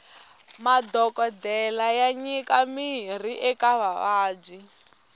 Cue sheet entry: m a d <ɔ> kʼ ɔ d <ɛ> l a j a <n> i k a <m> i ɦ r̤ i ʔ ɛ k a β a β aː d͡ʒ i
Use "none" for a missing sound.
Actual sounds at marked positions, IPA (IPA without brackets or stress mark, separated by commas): ɔ, ɛ, ɲ, m